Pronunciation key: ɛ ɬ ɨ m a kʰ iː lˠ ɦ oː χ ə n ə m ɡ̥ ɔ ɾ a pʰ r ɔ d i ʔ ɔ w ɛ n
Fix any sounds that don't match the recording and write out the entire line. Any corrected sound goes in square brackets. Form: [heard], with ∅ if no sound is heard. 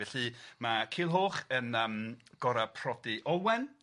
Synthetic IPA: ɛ ɬ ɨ m a kʰ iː lˠ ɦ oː χ ə n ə m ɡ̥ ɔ ɾ a pʰ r ɔ d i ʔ ɔ w ɛ n